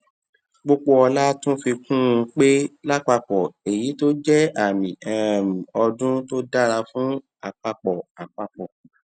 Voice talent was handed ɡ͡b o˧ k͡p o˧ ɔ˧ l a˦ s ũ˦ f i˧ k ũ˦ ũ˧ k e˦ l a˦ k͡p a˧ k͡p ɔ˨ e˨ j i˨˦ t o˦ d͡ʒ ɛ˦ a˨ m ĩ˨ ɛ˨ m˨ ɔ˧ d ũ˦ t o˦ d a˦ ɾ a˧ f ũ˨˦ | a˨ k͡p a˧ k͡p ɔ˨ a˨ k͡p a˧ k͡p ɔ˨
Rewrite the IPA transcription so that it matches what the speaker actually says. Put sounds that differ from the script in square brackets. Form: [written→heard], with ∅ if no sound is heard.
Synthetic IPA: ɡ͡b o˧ k͡p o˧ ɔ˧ l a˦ [s→t] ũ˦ f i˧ k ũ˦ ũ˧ [k→k͡p] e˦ l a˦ k͡p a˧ k͡p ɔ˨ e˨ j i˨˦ t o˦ d͡ʒ ɛ˦ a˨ m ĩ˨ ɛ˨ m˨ ɔ˧ d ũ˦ t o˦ d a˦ ɾ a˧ f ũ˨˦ | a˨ k͡p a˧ k͡p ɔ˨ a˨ k͡p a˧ k͡p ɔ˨